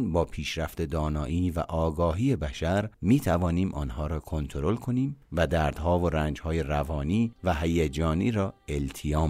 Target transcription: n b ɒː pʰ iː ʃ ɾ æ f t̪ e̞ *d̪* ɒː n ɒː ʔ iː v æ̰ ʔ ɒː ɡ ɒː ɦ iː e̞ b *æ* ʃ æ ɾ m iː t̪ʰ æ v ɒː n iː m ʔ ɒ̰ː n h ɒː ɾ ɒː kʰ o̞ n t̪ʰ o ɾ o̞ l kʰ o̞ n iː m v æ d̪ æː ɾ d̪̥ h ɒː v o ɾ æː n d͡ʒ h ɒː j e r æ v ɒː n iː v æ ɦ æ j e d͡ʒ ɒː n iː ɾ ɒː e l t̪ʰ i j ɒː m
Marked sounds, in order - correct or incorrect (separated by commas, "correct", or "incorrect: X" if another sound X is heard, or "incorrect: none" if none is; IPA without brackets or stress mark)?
correct, correct